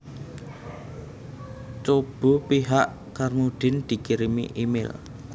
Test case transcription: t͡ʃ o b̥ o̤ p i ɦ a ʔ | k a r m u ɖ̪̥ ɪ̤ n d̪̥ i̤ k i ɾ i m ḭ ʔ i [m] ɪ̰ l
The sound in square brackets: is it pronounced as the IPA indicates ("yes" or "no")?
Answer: yes